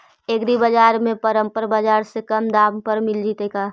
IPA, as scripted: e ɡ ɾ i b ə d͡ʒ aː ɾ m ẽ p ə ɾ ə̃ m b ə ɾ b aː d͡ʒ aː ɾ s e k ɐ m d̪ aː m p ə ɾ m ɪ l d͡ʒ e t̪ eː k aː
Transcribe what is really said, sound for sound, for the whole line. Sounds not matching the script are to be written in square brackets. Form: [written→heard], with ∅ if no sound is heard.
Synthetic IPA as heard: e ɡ ɾ i b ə d͡ʒ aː ɾ m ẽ p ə ɾ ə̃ m [b→p] ə ɾ b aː d͡ʒ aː ɾ s e k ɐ m d̪ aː m p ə ɾ m ɪ l d͡ʒ [e→i] t̪ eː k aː